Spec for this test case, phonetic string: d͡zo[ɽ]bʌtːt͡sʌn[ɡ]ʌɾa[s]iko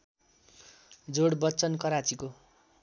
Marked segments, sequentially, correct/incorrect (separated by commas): correct, incorrect, incorrect